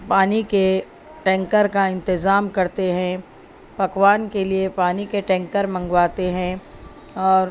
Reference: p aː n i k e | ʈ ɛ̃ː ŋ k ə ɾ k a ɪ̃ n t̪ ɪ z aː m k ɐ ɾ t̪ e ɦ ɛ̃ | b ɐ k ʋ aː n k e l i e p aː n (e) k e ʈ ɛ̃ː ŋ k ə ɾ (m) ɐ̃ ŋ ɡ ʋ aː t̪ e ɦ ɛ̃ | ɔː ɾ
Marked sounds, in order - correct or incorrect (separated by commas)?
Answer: incorrect, correct